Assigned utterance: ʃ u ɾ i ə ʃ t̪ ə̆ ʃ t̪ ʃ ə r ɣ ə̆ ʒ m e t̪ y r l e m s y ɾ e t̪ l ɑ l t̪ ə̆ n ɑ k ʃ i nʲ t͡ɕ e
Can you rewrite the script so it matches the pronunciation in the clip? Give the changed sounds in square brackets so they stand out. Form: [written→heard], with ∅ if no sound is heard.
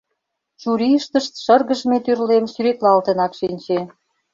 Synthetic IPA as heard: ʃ u ɾ i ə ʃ t̪ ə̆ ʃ t̪ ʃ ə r ɣ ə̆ ʒ m e t̪ y r l e m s y ɾ e t̪ l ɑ l t̪ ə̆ n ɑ k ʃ i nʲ t͡ɕ e